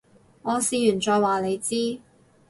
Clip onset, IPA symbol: ŋ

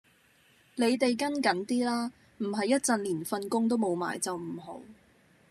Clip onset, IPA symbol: l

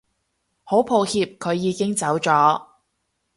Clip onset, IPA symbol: h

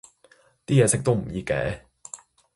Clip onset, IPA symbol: t̪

